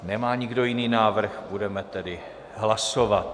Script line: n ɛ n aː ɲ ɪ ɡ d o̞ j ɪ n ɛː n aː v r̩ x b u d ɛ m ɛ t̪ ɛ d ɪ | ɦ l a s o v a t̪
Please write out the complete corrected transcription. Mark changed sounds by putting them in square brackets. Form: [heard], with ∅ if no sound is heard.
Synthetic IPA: n ɛ [m] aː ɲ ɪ ɡ d o̞ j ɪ n [iː] n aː v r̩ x b u d ɛ m ɛ t̪ ɛ d ɪ | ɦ l a s o v a t̪

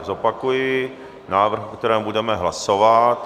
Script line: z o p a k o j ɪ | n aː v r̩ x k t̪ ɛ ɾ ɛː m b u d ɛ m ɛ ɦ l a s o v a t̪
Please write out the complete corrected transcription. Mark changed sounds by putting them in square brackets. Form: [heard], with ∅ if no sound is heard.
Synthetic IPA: z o p a k [u] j ɪ | n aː v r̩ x k t̪ ɛ ɾ ɛː m b u d ɛ m ɛ ɦ l a s o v a t̪

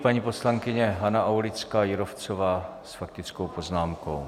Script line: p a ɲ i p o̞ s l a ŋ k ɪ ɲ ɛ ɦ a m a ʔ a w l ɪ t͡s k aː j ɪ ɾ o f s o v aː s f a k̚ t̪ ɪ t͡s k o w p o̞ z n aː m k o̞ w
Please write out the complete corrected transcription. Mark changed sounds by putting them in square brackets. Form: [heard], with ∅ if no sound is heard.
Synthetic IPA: p a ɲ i p o̞ s l a ŋ k ɪ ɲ ɛ ɦ a [n] a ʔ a w l ɪ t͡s k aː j ɪ ɾ o f [t͡s] o v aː s f a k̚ t̪ ɪ t͡s k o w p o̞ z n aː m k o̞ w

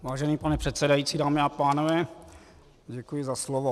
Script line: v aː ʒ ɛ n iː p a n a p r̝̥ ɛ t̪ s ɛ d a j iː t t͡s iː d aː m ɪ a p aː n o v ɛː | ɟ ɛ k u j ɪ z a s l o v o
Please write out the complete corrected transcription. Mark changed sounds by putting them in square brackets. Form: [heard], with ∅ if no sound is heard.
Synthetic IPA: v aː ʒ ɛ n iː p a n [ɛ] p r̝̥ ɛ t̪ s ɛ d a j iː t t͡s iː d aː m ɪ a p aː n o v ɛː | ɟ ɛ k u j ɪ z a s l o v o

